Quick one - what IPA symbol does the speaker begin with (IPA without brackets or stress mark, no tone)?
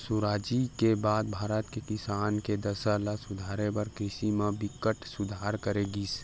s